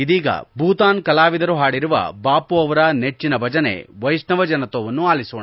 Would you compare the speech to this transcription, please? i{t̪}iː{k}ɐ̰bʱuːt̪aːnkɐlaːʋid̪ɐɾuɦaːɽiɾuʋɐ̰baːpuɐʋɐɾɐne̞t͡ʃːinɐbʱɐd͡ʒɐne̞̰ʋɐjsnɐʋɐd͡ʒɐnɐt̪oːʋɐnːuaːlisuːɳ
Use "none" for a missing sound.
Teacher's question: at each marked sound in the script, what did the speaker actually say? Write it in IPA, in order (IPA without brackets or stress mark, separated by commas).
d̪, ɡ